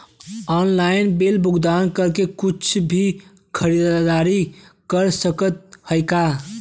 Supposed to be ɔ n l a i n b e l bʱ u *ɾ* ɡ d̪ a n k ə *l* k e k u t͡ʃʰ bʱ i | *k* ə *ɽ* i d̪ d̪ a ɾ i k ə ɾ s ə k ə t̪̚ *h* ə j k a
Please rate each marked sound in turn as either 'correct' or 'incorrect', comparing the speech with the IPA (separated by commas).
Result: incorrect, incorrect, incorrect, incorrect, correct